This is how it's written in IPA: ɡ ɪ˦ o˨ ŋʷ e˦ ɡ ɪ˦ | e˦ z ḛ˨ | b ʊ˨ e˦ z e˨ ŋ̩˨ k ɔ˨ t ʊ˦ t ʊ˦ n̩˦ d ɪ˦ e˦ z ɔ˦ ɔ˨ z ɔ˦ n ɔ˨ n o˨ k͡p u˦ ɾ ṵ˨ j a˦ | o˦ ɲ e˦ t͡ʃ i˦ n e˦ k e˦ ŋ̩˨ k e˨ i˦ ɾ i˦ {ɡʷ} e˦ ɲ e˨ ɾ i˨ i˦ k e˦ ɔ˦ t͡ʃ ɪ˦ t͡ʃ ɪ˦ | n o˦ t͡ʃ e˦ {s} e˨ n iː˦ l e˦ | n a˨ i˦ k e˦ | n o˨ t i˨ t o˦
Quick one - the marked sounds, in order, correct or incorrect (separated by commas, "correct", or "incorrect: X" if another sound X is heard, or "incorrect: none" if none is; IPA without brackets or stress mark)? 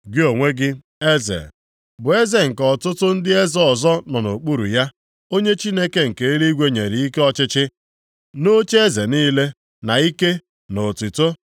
correct, incorrect: z